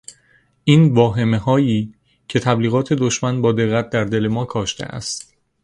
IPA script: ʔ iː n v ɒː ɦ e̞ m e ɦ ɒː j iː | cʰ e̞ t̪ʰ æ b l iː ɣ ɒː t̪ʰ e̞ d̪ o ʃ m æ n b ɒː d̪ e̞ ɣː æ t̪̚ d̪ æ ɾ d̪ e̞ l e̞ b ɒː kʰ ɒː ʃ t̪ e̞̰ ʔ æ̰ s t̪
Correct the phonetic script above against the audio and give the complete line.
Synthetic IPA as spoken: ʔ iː n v ɒː ɦ e̞ m e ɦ ɒː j iː | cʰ e̞ t̪ʰ æ b l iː ɣ ɒː t̪ʰ e̞ d̪ o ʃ m æ n b ɒː d̪ e̞ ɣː æ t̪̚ d̪ æ ɾ d̪ e̞ l e̞ m ɒː kʰ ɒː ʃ t̪ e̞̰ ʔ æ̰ s t̪

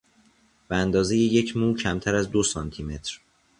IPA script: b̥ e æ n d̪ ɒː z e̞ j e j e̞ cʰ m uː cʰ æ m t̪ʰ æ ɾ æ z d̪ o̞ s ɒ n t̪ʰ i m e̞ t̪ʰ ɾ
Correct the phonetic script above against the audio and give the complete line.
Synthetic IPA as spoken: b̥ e æ n d̪ ɒː z e̞ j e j e̞ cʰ m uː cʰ æ m t̪ʰ æ ɾ æ z d̪ o̞ s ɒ n t̪ʰ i m e̞ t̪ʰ ɾ

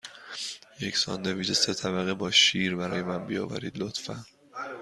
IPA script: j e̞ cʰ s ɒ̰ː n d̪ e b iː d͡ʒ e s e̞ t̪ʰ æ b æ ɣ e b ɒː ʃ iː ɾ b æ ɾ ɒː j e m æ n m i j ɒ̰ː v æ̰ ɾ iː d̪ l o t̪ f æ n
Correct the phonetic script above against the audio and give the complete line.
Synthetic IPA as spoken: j e̞ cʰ s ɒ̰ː n d̪ e v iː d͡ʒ e s e̞ t̪ʰ æ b æ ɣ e b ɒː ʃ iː ɾ b æ ɾ ɒː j e m æ n b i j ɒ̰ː v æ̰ ɾ iː d̪ l o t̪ f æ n

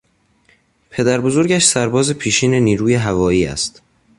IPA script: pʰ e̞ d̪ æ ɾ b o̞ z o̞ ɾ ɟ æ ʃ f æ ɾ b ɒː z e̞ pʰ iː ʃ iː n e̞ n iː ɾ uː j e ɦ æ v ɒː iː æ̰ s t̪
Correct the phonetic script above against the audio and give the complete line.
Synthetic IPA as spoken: pʰ e̞ d̪ æ ɾ b o̞ z o̞ ɾ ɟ æ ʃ s æ ɾ b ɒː z e̞ pʰ iː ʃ iː n e̞ n iː ɾ uː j e ɦ æ v ɒː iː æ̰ s t̪

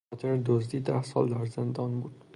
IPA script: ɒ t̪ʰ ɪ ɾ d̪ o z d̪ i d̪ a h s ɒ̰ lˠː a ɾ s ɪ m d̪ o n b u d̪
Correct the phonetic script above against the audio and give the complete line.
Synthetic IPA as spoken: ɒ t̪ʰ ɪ ɾ d̪ o z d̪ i d̪ a h s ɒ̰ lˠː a ɾ z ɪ n d̪ ɒ n b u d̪

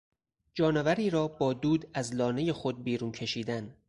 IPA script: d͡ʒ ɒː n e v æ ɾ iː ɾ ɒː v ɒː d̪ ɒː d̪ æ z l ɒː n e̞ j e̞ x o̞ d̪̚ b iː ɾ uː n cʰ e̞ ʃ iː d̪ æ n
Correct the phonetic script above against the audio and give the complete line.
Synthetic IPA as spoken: d͡ʒ ɒː n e v æ ɾ iː ɾ ɒː b ɒː d̪ uː d̪ æ z l ɒː n e̞ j e̞ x o̞ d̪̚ b iː ɾ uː n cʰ e̞ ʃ iː d̪ æ n

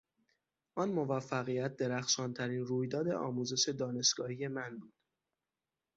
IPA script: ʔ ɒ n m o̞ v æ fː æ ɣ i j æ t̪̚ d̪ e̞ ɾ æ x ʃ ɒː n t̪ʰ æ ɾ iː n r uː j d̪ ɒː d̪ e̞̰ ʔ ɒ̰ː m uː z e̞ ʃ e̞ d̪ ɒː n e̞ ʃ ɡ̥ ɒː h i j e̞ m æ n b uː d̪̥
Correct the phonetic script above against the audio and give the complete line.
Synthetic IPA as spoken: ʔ ɒ n m o̞ v æ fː æ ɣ i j æ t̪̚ d̪ e̞ ɾ æ x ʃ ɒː n t̪ʰ æ ɾ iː n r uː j d̪ ɒː d̪ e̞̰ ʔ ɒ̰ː m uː z e̞ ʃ e̞ d̪ ɒː n e̞ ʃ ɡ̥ ɒː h i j e̞ m æ n b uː d̪̥

